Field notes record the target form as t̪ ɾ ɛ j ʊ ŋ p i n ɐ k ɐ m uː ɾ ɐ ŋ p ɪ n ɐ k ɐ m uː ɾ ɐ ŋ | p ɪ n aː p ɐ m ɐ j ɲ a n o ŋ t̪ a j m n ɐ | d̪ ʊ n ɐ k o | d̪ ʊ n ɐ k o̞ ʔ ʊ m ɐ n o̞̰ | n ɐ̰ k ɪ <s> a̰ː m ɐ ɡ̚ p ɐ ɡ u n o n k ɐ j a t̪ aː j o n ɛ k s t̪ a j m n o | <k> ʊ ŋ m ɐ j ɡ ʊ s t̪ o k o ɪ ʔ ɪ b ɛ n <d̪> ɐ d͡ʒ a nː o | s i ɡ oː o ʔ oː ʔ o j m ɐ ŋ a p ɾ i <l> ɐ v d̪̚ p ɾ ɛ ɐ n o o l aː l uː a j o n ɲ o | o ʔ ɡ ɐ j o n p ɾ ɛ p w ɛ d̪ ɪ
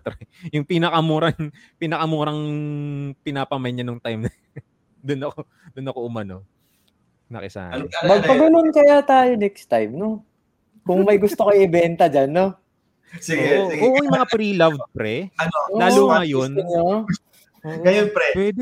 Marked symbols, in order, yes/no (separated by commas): yes, yes, no, yes